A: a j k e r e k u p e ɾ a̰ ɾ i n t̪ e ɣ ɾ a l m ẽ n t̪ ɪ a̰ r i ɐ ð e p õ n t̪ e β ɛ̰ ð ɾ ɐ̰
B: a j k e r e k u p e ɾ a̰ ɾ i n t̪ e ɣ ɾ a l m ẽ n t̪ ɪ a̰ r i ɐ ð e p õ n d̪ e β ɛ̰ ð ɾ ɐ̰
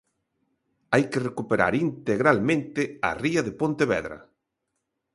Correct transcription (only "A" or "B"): A